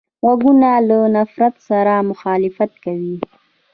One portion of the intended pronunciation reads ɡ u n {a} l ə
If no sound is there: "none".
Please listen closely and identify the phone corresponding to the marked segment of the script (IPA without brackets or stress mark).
a